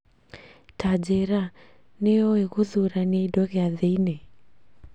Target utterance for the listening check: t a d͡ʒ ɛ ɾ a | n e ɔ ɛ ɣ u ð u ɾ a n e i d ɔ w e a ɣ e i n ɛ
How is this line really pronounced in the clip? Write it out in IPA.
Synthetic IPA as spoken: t a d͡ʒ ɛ ɾ a | n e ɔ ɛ ɣ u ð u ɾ a n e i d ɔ ɣ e a ð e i n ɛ